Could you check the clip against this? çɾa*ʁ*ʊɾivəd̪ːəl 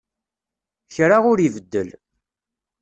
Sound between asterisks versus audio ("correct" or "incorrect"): correct